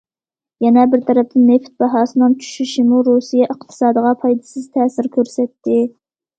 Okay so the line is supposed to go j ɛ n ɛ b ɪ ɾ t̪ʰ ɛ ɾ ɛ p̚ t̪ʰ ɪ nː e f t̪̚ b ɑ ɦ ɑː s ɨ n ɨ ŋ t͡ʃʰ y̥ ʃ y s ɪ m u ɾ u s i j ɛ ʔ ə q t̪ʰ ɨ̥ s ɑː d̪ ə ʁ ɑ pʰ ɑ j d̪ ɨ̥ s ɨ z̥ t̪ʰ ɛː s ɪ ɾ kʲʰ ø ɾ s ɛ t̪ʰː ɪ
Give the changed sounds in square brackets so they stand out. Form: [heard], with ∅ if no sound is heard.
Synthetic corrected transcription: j ɛ n ɛ b ɪ ɾ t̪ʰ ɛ ɾ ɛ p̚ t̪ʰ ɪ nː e f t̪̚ b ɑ ɦ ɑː s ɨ n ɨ ŋ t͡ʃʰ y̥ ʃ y [ʃ] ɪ m u ɾ u s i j ɛ ʔ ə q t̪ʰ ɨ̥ s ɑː d̪ ə ʁ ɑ pʰ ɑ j d̪ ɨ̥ s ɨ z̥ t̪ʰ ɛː s ɪ ɾ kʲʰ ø ɾ s ɛ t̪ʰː ɪ